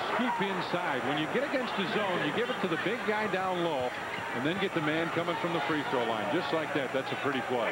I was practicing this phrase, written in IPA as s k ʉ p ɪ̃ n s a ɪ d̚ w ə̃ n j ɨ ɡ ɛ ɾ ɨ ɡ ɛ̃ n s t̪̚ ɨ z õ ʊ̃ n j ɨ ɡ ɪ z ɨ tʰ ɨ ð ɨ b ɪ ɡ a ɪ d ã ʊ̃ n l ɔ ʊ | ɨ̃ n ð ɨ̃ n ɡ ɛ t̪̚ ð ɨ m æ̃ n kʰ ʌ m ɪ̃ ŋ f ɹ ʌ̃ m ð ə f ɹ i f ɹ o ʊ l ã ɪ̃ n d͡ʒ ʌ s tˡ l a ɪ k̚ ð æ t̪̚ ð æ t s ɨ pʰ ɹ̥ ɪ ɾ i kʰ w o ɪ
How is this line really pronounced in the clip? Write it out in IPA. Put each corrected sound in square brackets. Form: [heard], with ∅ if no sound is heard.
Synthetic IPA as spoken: s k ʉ p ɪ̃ n s a ɪ d̚ w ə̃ n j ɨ ɡ ɛ ɾ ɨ ɡ ɛ̃ n s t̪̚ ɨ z õ ʊ̃ n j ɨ ɡ ɪ [v] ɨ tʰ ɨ ð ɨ b ɪ ɡ a ɪ d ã ʊ̃ n l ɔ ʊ | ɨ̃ n ð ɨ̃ n ɡ ɛ t̪̚ ð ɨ m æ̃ n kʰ ʌ m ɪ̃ ŋ f ɹ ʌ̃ m ð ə f ɹ i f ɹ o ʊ l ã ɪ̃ n d͡ʒ ʌ s tˡ l a ɪ k̚ ð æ t̪̚ ð æ t s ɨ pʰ ɹ̥ ɪ ɾ i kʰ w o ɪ